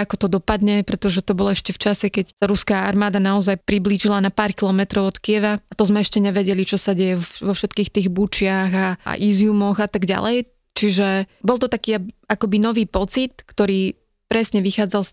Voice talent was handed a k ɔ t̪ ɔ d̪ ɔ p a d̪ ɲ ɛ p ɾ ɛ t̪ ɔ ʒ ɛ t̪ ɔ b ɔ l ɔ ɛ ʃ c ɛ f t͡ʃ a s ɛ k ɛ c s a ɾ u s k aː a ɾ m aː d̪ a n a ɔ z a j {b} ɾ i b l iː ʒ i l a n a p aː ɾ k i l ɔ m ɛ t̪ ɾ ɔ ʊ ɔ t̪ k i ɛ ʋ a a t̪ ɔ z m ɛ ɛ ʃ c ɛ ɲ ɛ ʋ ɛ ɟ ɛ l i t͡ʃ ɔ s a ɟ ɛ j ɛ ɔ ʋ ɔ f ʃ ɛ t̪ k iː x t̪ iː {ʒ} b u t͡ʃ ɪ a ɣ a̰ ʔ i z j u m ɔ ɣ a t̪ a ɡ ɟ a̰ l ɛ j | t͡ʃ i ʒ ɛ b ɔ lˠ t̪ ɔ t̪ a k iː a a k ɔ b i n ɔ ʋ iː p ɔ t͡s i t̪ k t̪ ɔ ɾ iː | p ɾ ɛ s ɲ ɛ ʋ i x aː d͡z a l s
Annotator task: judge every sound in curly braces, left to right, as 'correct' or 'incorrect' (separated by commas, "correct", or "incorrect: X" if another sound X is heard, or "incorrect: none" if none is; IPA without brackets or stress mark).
incorrect: p, incorrect: ɣ